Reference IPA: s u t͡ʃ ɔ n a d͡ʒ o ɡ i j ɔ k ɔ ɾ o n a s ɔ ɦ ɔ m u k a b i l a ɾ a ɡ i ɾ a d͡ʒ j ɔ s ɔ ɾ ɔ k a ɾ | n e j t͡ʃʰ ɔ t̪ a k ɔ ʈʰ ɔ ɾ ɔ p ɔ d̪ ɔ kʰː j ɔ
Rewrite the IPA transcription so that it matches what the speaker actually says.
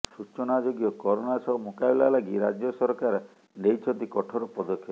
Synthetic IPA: s u t͡ʃ ɔ n a d͡ʒ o ɡ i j ɔ k ɔ ɾ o n a s ɔ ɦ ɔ m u k a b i l a l a ɡ i ɾ a d͡ʒ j ɔ s ɔ ɾ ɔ k a ɾ | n e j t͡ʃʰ ɔ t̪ i k ɔ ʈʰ ɔ ɾ ɔ p ɔ d̪ ɔ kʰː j ɔ